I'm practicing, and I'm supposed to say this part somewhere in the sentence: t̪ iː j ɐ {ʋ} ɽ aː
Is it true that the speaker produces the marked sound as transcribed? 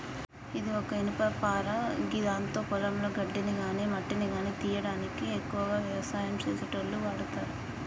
no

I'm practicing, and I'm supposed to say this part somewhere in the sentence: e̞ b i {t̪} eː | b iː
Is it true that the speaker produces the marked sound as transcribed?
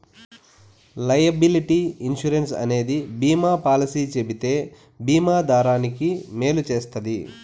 yes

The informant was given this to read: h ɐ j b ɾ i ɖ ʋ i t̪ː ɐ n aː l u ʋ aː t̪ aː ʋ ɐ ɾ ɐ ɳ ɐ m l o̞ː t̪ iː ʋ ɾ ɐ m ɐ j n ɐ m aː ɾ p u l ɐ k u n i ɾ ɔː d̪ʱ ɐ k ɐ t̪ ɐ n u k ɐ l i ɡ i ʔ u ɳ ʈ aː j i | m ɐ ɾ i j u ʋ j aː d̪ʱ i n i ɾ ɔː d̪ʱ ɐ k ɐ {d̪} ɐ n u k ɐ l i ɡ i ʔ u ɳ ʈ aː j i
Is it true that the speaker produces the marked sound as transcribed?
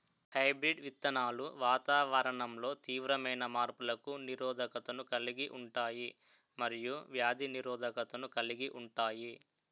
no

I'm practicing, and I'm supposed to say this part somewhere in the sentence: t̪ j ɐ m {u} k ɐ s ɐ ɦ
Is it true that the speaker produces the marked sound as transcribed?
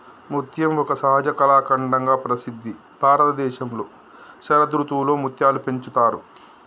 no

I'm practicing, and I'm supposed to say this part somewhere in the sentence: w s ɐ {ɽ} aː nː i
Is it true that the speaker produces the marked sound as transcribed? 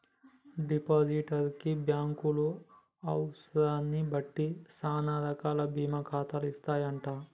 no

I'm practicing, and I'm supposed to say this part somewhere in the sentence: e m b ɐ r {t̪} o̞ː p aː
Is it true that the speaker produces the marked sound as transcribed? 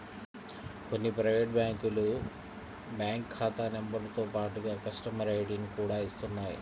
yes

